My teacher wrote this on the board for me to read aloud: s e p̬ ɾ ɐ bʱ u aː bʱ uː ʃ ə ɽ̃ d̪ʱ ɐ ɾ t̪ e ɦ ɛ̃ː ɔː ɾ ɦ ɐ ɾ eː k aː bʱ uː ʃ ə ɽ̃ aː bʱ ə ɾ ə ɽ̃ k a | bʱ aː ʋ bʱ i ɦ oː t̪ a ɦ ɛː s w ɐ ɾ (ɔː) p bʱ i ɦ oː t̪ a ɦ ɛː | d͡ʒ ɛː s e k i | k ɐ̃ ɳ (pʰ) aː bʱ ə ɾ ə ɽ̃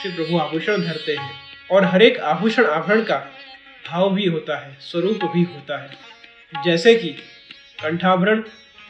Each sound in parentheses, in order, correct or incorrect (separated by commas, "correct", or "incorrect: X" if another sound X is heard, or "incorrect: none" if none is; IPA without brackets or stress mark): incorrect: uː, incorrect: ʈʰ